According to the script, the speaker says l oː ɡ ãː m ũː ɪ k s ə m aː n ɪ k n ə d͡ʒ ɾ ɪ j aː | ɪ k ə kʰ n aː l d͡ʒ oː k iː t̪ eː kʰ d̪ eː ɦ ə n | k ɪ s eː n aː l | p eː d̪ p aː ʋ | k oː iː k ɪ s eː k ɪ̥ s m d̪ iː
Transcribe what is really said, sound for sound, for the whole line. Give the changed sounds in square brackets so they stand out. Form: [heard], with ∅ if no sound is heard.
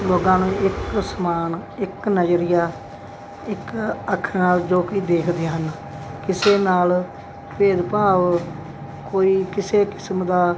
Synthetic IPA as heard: l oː ɡ ãː [n] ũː ɪ k s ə m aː n ɪ k n ə d͡ʒ ɾ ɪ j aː | ɪ k ə kʰ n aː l d͡ʒ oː k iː [d̪] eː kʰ d̪ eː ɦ ə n | k ɪ s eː n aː l | p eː d̪ p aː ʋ | k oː iː k ɪ s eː k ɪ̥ s m d̪ [aː]